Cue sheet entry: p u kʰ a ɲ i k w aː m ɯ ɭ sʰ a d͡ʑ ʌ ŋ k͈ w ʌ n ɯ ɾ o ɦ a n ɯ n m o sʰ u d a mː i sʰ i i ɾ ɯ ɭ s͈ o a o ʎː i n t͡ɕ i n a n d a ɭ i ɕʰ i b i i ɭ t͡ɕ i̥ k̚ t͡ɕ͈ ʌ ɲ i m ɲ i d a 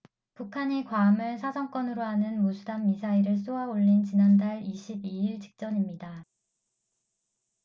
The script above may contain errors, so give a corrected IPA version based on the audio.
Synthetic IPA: p u kʰ a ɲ i k w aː m ɯ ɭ sʰ a d͡ʑ ʌ ŋ k͈ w ʌ n ɯ ɾ o ɦ a n ɯ n m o sʰ u d a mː i sʰ a i ɾ ɯ ɭ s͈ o a o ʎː i n t͡ɕ i n a n d a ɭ i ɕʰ i b i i ɭ t͡ɕ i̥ k̚ t͡ɕ͈ ʌ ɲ i m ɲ i d a